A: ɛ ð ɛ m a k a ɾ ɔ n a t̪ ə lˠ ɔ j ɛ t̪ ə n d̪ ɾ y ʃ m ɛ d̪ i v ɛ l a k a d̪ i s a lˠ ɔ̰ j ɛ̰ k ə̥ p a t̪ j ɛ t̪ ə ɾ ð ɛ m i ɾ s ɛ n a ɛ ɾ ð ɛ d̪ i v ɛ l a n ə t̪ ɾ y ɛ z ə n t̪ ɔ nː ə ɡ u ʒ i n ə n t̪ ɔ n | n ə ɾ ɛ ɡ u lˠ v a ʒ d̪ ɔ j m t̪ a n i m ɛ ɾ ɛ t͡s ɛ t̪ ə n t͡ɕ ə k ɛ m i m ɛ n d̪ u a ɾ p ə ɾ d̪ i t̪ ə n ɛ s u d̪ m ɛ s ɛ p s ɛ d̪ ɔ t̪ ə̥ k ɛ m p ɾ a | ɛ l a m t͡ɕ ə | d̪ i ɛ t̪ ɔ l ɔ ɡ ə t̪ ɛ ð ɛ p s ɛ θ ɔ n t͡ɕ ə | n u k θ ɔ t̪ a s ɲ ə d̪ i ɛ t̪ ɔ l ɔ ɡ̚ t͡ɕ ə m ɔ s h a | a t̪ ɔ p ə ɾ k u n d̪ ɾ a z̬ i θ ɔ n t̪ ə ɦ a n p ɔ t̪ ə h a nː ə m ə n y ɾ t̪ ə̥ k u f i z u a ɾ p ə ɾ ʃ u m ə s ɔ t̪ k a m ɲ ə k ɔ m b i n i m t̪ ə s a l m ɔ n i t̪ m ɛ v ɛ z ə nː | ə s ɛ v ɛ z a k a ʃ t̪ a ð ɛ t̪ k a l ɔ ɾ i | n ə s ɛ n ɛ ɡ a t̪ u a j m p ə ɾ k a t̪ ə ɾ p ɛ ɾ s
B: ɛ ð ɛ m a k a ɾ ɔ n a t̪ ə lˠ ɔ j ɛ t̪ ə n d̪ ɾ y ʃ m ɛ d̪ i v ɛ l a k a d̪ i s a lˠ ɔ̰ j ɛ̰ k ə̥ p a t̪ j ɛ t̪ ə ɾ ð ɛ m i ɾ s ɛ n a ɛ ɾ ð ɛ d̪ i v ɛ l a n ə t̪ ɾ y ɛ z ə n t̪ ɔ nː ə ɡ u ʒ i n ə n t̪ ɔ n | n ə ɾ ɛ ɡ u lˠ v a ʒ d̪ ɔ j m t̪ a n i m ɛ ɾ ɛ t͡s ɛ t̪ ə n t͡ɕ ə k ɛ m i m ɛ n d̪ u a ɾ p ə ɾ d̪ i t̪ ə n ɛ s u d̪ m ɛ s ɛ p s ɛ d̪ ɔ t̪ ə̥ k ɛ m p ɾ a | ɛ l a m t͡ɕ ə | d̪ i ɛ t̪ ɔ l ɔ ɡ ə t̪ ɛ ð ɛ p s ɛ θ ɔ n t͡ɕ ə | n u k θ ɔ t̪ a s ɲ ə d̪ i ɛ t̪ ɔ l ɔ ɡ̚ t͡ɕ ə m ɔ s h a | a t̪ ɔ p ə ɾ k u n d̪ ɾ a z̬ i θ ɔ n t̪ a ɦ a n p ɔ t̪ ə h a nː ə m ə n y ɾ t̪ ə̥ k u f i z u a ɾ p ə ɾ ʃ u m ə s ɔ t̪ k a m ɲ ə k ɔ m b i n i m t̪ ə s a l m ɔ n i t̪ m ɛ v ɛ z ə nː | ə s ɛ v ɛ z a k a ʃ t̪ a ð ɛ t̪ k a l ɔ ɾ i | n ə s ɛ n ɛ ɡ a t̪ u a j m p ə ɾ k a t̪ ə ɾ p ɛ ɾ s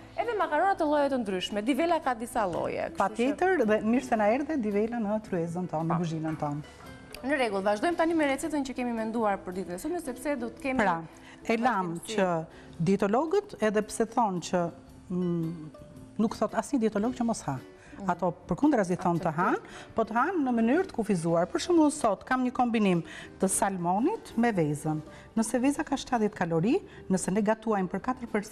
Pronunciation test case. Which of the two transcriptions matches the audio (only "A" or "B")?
A